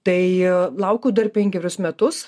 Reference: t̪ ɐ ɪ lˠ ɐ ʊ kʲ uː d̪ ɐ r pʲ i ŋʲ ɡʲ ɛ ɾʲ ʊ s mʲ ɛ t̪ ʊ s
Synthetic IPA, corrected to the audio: t̪ ɐ ɪ lˠ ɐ ʊ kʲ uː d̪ ɐ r pʲ ɛ ŋʲ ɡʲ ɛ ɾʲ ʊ s mʲ ɛ t̪ ʊ s

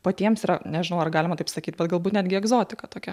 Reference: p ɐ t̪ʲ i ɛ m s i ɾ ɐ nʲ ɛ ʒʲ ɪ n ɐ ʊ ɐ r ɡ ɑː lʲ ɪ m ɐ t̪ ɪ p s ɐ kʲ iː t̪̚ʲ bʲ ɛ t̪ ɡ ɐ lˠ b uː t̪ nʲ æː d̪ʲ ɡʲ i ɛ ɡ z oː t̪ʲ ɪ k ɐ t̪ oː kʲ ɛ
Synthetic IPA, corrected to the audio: p ɐ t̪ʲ i ɛ m s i ɾ ɐ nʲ ɛ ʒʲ ɪ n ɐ ʊ ɐ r ɡ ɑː lʲ ɪ m ɐ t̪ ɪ p s ɐ kʲ iː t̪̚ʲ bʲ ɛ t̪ ɡ ɐ lˠ b uː t̪ nʲ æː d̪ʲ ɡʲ ɪ ɛ ɡ z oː t̪ʲ ɪ k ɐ t̪ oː kʲ ɛ

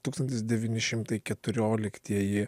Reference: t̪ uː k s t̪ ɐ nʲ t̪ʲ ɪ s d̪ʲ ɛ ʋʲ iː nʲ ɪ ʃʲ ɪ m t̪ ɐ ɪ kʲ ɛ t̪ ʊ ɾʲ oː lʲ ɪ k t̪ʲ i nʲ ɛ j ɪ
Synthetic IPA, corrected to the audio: t̪ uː k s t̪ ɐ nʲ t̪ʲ ɪ s d̪ʲ ɛ ʋʲ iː nʲ ɪ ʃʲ ɪ m t̪ ɐ ɪ kʲ ɛ t̪ ʊ ɾʲ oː lʲ ɪ k t̪ʲ i ɛ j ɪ

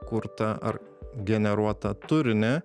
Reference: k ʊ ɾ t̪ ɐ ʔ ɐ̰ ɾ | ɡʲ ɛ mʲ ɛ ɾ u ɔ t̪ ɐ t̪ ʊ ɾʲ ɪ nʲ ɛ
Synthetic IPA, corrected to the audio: k ʊ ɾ t̪ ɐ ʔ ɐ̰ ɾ | ɡʲ ɛ nʲ ɛ ɾ u ɔ t̪ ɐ t̪ ʊ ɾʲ ɪ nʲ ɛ

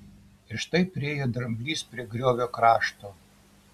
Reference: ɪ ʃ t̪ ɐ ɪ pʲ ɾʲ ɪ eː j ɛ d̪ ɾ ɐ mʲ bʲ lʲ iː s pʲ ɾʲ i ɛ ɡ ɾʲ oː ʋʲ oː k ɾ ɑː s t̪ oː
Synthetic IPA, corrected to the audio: ɪ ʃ t̪ ɐ ɪ pʲ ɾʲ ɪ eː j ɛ d̪ ɾ ɐ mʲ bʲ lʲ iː s pʲ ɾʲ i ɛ ɡ ɾʲ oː ʋʲ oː k ɾ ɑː ʃ t̪ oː

